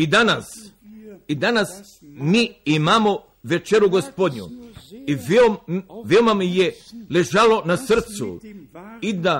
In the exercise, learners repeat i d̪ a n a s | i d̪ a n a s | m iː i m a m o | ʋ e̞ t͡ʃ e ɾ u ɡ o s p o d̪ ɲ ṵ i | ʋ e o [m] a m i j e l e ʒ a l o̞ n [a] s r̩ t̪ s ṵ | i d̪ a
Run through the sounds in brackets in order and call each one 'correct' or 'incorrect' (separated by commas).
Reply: correct, correct